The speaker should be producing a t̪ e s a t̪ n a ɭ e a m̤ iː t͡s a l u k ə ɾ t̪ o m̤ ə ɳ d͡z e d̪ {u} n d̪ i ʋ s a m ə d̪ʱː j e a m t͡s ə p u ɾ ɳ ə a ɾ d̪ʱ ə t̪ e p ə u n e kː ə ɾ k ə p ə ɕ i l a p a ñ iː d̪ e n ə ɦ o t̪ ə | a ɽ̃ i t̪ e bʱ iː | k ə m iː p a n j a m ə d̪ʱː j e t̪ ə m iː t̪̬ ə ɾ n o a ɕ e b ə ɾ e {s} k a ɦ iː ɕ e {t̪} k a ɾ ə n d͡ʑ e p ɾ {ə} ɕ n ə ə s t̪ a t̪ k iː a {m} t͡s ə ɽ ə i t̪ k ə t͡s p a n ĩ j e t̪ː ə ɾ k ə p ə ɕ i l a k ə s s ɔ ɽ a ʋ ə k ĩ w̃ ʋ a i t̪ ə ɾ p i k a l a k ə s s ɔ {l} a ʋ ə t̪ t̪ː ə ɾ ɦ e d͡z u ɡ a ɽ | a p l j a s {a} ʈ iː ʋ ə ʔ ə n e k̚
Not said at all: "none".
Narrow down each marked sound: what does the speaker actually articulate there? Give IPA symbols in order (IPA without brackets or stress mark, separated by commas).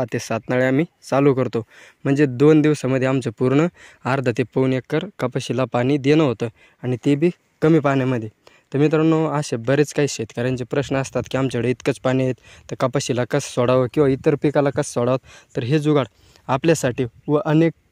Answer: o, t͡s, t̪, ə, m, ɽ, a